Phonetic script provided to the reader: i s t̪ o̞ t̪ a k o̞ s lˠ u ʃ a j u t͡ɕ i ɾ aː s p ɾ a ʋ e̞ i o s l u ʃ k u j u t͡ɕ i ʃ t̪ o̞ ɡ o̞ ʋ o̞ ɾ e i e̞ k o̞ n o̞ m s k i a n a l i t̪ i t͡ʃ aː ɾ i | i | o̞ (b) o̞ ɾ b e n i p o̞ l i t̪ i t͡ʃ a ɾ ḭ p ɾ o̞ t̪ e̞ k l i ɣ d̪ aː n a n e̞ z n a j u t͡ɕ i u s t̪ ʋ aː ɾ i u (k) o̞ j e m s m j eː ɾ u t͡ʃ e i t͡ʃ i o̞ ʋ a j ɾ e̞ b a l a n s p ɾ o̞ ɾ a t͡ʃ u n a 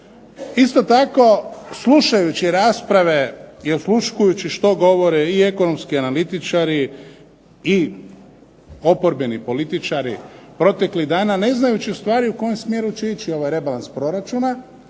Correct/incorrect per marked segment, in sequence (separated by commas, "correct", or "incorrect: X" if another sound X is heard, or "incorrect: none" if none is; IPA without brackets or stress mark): incorrect: p, correct